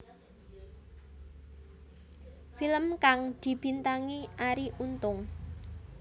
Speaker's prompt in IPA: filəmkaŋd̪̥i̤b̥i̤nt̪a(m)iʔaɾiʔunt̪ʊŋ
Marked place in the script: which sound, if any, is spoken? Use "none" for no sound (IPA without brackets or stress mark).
ŋ